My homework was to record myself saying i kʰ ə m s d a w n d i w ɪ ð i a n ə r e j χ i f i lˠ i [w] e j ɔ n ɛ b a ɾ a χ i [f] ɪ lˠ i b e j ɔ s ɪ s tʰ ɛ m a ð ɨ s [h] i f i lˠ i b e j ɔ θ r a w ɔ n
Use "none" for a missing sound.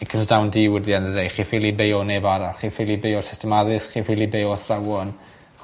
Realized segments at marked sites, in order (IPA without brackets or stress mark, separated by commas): b, f, χ